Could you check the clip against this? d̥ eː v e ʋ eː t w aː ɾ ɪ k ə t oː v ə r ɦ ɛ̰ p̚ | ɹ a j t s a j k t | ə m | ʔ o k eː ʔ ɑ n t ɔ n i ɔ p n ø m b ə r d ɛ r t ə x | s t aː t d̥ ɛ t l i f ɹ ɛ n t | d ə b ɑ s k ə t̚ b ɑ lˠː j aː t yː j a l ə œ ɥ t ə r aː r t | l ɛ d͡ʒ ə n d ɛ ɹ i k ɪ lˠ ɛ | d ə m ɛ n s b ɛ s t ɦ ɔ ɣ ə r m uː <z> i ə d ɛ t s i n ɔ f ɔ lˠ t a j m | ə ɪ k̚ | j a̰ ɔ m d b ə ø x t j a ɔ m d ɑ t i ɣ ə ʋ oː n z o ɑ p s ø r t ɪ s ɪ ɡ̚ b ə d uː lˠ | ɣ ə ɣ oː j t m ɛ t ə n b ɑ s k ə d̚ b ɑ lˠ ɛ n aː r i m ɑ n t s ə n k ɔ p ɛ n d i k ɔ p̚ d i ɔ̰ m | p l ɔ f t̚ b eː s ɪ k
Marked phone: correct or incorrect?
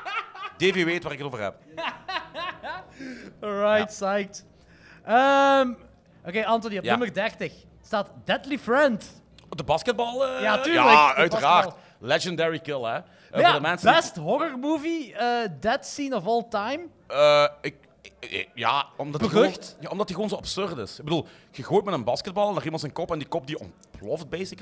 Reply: incorrect